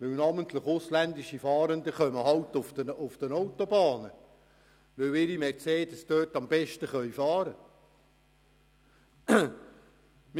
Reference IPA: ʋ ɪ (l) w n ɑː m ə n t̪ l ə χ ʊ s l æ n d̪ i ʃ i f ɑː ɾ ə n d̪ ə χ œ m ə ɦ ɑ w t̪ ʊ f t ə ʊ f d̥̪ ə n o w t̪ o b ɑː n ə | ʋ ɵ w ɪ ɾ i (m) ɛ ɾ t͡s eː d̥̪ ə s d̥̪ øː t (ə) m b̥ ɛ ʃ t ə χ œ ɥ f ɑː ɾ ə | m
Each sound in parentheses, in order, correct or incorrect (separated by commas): incorrect, correct, incorrect